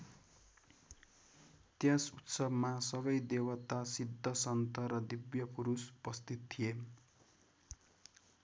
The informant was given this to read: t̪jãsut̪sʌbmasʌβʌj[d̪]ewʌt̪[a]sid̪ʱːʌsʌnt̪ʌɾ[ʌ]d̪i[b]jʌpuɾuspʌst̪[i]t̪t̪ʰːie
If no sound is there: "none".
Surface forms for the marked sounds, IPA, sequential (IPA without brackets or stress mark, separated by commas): d̪, a, ʌ, b, i